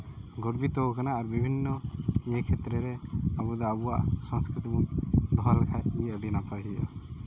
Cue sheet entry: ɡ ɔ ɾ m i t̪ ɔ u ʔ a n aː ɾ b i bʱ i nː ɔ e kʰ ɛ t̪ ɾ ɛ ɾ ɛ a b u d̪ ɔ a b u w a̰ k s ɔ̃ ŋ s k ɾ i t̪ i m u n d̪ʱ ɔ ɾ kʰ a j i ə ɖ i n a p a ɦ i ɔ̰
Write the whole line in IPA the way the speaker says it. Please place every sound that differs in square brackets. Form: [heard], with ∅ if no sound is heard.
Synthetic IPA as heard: ɡ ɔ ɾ [b] i t̪ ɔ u [k] a n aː ɾ b i bʱ i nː ɔ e kʰ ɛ t̪ ɾ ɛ ɾ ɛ a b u d̪ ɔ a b u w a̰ [ʔ] s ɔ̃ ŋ s k ɾ i t̪ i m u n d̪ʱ ɔ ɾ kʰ a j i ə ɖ i n a p a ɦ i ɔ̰